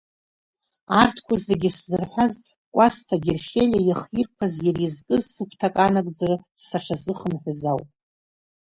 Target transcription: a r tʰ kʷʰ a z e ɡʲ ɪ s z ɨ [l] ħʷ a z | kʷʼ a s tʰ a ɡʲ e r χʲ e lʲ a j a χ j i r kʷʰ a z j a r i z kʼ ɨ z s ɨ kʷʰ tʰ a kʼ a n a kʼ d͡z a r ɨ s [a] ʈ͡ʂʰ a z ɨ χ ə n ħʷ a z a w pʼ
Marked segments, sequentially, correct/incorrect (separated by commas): incorrect, correct